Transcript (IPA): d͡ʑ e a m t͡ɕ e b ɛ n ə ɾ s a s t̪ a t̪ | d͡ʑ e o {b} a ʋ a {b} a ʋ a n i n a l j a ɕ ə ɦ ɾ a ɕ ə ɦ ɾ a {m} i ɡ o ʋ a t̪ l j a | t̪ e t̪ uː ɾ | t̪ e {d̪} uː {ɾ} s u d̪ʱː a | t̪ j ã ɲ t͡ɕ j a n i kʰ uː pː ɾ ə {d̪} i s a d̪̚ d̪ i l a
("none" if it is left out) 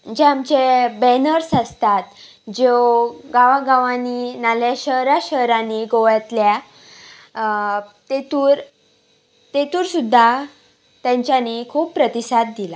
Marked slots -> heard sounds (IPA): ɡ, ɡ, n, t̪, ɾ, t̪

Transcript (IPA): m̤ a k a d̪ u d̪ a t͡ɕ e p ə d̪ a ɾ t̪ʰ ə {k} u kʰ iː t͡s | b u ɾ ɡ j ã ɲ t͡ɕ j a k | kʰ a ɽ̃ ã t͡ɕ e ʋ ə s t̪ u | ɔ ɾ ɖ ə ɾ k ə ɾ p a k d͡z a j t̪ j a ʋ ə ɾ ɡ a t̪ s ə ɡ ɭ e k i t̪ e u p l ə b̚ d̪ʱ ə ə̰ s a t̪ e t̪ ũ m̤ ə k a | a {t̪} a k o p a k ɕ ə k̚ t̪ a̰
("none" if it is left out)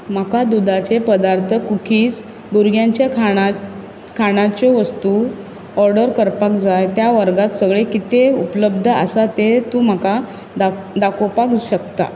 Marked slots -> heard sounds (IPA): k, d̪

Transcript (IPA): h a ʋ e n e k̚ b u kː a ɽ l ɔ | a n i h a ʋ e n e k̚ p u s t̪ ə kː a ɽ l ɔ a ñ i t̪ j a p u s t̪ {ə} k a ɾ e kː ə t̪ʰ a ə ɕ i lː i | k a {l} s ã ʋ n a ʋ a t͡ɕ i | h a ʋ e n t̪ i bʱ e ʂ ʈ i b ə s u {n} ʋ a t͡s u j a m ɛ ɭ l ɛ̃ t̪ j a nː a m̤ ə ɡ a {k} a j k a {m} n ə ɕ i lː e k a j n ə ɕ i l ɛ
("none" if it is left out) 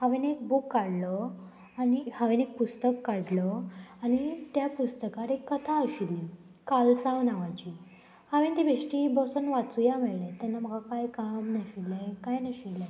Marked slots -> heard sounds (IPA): ə, l, n, k, m

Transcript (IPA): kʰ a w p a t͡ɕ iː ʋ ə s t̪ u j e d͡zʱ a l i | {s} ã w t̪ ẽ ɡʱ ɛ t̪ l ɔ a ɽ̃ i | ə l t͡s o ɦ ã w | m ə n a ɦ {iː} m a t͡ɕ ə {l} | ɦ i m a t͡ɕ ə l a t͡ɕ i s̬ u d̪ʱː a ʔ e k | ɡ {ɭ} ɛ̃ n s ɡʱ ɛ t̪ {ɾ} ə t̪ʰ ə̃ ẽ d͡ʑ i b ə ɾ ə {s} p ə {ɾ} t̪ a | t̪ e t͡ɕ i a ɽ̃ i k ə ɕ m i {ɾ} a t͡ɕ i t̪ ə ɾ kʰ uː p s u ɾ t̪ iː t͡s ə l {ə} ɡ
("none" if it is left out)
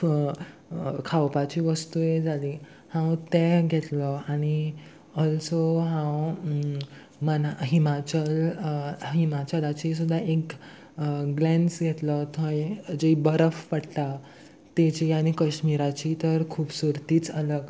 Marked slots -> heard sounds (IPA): h, i, l, l, l, f, ɽ, ɾ, ə

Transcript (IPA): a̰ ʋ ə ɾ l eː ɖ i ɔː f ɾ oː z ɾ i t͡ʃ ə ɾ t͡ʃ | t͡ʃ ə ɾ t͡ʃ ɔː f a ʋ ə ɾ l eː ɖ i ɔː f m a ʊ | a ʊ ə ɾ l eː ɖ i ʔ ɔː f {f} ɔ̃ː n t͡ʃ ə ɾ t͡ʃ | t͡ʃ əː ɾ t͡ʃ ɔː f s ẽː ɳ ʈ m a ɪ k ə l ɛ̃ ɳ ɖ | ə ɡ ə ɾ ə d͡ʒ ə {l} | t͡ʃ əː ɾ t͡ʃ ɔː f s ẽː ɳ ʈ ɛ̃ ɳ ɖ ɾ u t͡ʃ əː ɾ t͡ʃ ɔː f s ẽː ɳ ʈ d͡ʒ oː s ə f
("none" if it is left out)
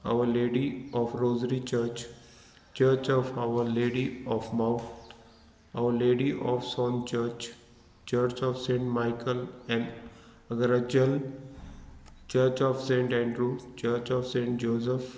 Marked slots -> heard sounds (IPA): s, l

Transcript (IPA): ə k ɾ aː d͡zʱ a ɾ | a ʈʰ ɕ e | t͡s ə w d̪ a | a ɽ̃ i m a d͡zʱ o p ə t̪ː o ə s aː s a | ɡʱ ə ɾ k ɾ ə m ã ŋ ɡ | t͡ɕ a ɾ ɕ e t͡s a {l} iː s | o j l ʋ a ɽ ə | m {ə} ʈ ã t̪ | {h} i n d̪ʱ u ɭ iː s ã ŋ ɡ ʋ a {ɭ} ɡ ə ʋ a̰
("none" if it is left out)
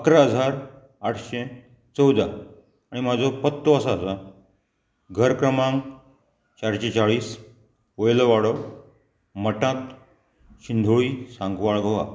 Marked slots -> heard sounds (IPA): ɭ, ə, ɕ, ɭ

